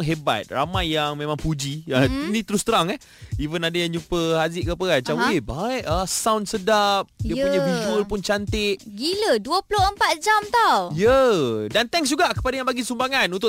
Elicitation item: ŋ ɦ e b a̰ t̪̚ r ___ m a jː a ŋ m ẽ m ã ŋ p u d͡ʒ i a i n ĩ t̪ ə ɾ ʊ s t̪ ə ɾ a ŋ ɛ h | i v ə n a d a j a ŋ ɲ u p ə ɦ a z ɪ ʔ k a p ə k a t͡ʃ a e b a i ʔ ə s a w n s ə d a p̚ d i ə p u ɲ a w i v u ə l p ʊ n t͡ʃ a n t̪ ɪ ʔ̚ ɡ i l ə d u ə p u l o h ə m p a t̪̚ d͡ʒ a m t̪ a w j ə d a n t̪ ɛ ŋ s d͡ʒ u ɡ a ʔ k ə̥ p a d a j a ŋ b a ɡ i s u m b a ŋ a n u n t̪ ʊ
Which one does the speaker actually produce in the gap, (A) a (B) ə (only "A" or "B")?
A